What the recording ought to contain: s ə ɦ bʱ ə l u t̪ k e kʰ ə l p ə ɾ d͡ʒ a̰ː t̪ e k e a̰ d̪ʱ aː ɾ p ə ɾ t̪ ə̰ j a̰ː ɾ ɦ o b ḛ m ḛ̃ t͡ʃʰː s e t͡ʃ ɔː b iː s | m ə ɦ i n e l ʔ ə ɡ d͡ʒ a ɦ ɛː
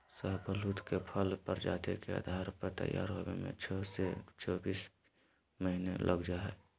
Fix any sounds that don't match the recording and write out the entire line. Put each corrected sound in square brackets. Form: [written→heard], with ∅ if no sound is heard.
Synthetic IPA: s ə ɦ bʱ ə l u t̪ k e [kʰ→pʰ] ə l p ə ɾ d͡ʒ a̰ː t̪ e k e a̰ d̪ʱ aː ɾ p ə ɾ t̪ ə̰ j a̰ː ɾ ɦ o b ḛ m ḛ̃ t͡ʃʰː s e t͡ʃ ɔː b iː s | m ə ɦ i n e l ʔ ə ɡ d͡ʒ a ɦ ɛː